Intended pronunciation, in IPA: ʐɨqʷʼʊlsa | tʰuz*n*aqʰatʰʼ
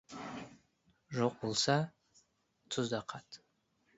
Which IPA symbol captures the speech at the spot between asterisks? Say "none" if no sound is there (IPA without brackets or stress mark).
d